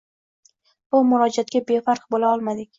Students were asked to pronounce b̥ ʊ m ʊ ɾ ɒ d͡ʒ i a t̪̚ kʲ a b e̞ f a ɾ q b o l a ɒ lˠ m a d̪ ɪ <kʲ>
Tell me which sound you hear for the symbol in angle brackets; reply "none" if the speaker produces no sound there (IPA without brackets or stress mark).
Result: kʲ